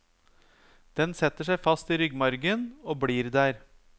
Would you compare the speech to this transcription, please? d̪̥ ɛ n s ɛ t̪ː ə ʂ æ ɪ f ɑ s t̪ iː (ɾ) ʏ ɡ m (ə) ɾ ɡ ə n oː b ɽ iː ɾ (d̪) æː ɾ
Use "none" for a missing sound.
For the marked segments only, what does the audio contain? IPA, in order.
ɾ, ɑ, d̪

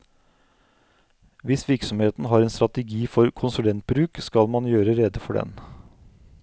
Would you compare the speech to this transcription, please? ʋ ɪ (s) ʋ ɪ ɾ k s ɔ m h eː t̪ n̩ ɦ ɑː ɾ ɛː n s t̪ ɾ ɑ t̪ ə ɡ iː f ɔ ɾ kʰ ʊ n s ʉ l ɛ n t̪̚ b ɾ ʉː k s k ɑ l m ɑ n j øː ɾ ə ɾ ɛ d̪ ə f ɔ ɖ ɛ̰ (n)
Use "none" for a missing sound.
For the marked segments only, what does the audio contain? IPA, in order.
s, n

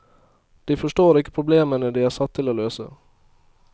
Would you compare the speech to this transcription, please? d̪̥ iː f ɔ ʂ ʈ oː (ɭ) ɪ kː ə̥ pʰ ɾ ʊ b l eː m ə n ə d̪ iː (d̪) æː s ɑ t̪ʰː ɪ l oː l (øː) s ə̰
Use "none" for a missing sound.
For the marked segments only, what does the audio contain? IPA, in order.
ɾ, none, øː

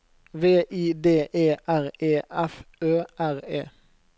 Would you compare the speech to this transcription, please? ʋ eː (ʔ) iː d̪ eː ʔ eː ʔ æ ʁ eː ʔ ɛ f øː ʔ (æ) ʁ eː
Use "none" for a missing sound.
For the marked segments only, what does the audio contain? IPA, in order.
ʔ, æ

